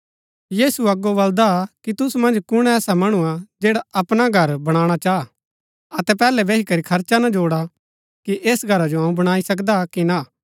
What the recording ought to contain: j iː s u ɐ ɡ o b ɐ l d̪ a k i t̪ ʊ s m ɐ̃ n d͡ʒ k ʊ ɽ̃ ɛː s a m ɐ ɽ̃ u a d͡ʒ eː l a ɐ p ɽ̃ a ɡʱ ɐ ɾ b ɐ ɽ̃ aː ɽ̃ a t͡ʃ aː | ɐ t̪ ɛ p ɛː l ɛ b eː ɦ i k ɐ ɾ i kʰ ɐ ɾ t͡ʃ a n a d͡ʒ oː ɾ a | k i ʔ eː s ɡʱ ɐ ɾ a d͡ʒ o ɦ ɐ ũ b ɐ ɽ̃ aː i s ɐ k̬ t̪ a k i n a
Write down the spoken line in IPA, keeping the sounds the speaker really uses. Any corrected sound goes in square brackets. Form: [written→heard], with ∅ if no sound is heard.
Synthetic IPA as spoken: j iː s u ɐ ɡ o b ɐ l d̪ a k i t̪ ʊ s m ɐ̃ n d͡ʒ k ʊ ɽ̃ ɛː s a m ɐ ɽ̃ u a d͡ʒ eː [l→ɽ] a ɐ p ɽ̃ a ɡʱ ɐ ɾ b ɐ ɽ̃ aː ɽ̃ a t͡ʃ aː | ɐ t̪ ɛ p ɛː l ɛ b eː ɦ i k ɐ ɾ i kʰ ɐ ɾ t͡ʃ a n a d͡ʒ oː [ɾ→ɽ] a | k i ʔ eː s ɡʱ ɐ ɾ a d͡ʒ o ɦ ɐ ũ b ɐ ɽ̃ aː i s ɐ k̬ [t̪→d̪] a k i n a

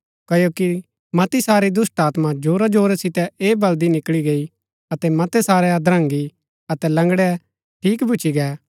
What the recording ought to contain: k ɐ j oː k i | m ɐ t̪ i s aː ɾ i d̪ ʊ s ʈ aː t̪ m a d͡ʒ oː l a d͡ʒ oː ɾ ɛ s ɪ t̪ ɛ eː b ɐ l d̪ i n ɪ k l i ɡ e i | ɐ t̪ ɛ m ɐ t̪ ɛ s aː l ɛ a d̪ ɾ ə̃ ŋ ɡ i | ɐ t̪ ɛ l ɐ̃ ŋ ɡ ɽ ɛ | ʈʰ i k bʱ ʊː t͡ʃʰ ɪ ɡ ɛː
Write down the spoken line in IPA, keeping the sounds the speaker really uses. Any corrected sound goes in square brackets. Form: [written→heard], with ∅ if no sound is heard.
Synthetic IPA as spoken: k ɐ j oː k i | m ɐ t̪ i s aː ɾ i d̪ ʊ s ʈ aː t̪ m a d͡ʒ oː [l→ɾ] a d͡ʒ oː ɾ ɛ s ɪ t̪ ɛ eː b ɐ l d̪ i n ɪ k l i ɡ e i | ɐ t̪ ɛ m ɐ t̪ ɛ s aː [l→ɾ] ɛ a d̪ ɾ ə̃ ŋ ɡ i | ɐ t̪ ɛ l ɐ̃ ŋ ɡ ɽ ɛ | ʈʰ [i→iː] k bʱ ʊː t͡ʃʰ [ɪ→i] ɡ ɛː

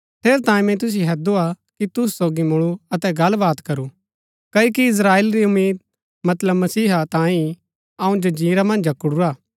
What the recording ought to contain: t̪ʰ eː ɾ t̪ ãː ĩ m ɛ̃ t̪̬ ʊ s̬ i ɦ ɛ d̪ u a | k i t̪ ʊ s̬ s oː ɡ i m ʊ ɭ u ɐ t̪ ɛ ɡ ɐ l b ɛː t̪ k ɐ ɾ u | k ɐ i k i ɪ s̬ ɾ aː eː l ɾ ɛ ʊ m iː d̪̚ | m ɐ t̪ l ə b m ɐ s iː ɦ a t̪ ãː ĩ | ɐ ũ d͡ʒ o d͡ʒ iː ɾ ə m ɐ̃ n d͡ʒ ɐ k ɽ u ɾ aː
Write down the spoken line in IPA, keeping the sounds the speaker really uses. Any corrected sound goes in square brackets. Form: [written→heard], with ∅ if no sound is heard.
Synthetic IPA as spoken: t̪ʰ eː ɾ t̪ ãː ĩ m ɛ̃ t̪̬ ʊ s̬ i ɦ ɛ d̪ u a | k i t̪ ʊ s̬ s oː ɡ i m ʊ ɭ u ɐ t̪ ɛ ɡ ɐ l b [ɛː→aː] t̪ k ɐ ɾ u | k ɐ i k i ɪ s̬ ɾ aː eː l ɾ [ɛ→i] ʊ m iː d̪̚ | m ɐ t̪ l ə b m ɐ s iː ɦ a t̪ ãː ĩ | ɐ ũ d͡ʒ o d͡ʒ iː ɾ [ə→a] m ɐ̃ n d͡ʒ ɐ k ɽ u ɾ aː

